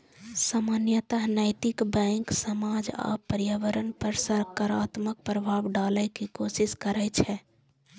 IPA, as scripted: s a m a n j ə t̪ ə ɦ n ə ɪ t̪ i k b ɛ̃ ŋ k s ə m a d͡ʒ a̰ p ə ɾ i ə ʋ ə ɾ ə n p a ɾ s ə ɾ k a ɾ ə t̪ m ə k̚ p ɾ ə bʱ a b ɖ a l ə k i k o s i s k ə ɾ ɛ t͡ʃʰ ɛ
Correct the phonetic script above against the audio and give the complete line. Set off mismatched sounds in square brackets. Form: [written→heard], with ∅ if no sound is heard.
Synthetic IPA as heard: s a m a n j ə t̪ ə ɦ n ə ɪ t̪ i k b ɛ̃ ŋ k s ə m a d͡ʒ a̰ p ə ɾ [i→j] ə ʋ ə ɾ ə n p [a→ə] ɾ s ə ɾ k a ɾ [ə→a] t̪ m ə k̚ p ɾ ə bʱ a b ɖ a l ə k i k o s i s k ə ɾ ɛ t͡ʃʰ ɛ